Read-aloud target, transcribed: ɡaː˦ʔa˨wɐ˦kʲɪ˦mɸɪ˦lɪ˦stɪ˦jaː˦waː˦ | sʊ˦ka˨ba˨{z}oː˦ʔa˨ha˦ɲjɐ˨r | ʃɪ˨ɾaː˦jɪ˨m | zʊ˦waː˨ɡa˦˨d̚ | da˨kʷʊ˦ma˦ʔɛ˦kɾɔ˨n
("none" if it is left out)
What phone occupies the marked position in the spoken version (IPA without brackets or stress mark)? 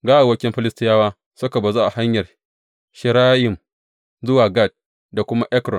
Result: z